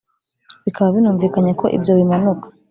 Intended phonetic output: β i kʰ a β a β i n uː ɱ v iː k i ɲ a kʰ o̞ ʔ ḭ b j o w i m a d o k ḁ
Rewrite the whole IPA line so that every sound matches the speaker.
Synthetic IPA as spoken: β i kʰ a β a β i n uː ɱ v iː k a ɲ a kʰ o̞ ʔ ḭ b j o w i m a n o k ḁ